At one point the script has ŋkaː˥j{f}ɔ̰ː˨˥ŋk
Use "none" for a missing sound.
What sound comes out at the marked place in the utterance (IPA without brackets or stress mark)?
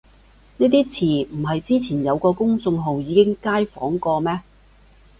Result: f